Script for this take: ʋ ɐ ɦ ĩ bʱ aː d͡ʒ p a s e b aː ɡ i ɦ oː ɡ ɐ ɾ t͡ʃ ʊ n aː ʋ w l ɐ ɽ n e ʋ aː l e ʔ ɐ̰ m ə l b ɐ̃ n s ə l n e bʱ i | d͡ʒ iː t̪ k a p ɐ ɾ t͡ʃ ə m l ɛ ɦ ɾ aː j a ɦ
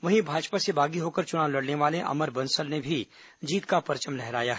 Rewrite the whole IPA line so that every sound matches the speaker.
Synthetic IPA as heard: ʋ ɐ ɦ ĩ bʱ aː d͡ʒ p a s e b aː ɡ i ɦ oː k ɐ ɾ t͡ʃ ʊ n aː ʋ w l ɐ ɽ n e ʋ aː l e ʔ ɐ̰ m ə ɾ b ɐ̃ n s ə l n e bʱ i | d͡ʒ iː t̪ k a p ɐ ɾ t͡ʃ ə m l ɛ ɦ ɾ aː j a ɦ